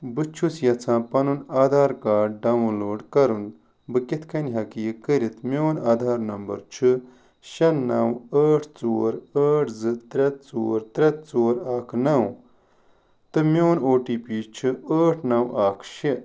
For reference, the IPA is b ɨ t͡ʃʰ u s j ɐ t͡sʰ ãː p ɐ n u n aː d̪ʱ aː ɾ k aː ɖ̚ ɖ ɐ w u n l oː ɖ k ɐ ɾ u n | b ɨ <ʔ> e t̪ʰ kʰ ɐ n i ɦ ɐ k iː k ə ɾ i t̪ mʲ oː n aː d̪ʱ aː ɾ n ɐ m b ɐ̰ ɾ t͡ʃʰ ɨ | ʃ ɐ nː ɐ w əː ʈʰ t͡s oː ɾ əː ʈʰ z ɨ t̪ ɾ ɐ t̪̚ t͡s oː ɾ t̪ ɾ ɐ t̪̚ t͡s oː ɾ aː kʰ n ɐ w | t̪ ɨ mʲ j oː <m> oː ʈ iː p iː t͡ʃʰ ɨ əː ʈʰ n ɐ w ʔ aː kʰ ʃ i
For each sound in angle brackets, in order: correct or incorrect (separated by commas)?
incorrect, incorrect